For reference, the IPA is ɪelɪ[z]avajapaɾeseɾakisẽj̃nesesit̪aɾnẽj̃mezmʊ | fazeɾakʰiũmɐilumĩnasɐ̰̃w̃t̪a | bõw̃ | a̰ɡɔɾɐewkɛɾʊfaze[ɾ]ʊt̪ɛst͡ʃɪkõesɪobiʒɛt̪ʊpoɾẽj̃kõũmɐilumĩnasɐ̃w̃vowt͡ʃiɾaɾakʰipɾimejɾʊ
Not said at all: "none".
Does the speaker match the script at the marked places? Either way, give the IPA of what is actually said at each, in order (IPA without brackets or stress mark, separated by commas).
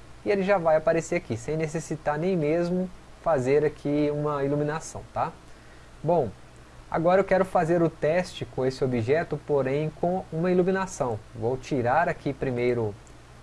ʒ, ɾ